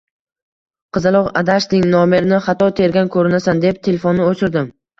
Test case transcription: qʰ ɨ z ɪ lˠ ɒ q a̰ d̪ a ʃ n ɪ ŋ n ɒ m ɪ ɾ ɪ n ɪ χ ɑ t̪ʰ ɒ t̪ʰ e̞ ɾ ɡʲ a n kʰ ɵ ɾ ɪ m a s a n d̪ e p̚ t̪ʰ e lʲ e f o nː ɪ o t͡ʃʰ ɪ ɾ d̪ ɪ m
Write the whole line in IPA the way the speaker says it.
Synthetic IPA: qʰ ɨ z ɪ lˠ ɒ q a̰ d̪ a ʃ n ɪ ŋ n ɒ m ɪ ɾ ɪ n ɪ χ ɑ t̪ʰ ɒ t̪ʰ e̞ ɾ ɡʲ a n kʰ ɵ ɾ ɪ n a s a n d̪ e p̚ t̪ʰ e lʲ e f o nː ɪ o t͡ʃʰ ɪ ɾ d̪ ɪ m